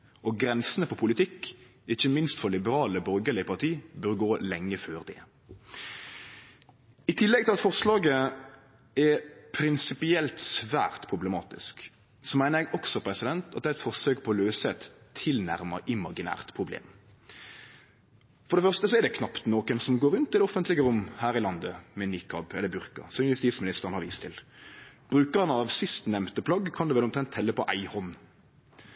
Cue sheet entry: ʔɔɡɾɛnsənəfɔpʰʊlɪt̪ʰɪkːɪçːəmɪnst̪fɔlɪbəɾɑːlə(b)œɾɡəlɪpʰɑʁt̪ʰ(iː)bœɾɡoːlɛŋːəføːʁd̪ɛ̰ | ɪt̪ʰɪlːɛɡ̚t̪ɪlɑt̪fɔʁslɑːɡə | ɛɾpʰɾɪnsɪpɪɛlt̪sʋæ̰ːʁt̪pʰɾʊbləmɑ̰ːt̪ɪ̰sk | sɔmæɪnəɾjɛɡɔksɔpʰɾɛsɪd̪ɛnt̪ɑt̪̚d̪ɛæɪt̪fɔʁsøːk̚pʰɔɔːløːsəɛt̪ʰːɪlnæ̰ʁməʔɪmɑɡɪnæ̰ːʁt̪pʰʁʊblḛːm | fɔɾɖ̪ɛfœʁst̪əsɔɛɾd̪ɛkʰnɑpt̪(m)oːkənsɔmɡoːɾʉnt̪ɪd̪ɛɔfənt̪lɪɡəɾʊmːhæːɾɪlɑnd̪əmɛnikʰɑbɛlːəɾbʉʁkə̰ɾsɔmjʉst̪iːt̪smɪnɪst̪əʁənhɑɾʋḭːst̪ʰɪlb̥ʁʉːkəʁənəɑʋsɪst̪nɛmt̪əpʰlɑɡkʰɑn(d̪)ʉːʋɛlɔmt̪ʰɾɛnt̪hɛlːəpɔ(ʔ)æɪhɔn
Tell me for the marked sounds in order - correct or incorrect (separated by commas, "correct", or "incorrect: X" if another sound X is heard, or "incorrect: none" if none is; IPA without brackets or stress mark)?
correct, correct, incorrect: n, correct, correct